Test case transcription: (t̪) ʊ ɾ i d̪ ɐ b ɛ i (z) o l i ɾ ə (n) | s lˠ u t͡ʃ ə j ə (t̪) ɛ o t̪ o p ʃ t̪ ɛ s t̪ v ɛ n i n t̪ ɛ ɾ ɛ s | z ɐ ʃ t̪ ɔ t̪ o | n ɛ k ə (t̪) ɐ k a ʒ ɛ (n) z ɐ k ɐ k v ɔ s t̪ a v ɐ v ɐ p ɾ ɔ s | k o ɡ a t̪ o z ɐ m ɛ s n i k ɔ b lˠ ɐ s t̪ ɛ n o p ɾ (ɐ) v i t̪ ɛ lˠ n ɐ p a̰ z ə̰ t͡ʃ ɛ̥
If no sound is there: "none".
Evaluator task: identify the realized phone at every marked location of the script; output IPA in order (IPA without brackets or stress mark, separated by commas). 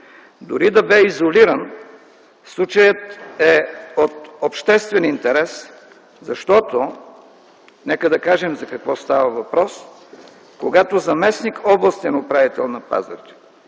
d̪, z, n, t̪, d̪, m, a